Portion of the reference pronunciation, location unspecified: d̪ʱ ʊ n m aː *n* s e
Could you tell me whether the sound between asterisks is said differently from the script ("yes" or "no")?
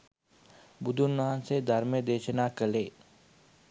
no